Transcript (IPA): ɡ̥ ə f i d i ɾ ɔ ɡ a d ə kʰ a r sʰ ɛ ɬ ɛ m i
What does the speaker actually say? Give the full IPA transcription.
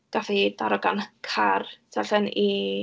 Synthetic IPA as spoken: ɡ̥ a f i d a ɾ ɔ ɡ a n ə kʰ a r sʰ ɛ ɬ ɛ n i